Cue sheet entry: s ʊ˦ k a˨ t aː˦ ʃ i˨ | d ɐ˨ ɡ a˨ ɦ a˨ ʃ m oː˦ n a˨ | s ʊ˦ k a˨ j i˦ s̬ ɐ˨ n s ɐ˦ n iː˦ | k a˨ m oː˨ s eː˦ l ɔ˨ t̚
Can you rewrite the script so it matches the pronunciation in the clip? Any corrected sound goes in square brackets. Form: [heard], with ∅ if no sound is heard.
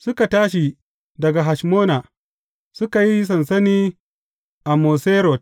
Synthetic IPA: s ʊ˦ k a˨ t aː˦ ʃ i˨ | d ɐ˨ ɡ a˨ ɦ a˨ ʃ m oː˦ n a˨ | s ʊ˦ k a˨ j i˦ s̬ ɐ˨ n s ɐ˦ n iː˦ | [ʔ] a˨ m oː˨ s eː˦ [ɾ] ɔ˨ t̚